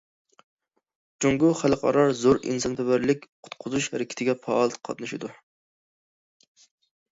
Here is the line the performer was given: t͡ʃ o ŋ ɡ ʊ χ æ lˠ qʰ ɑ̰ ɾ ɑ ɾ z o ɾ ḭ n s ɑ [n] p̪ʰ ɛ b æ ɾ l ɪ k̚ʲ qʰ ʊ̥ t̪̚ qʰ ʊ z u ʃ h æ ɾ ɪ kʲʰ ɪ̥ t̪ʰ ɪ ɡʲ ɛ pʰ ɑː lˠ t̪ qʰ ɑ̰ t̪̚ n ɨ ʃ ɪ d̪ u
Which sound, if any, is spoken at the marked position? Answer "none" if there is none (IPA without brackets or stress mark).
n